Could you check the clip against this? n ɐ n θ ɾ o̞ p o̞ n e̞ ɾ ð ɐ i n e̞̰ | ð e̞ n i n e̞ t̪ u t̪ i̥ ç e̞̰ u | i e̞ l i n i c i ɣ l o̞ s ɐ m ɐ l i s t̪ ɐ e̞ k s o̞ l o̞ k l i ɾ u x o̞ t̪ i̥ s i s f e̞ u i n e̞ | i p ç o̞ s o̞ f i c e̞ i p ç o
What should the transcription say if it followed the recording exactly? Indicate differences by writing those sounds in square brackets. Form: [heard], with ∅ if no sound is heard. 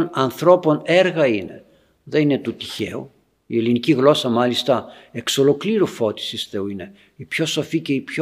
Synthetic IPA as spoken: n ɐ n θ ɾ o̞ p o̞ n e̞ ɾ [ɣ] ɐ i n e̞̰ | ð e̞ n i n e̞ t̪ u t̪ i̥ ç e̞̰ u | i e̞ l i n i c i ɣ l o̞ s ɐ m ɐ l i s t̪ ɐ e̞ k s o̞ l o̞ k l i ɾ u [f] o̞ t̪ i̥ s i s [θ] e̞ u i n e̞ | i p ç o̞ s o̞ f i c e̞ i p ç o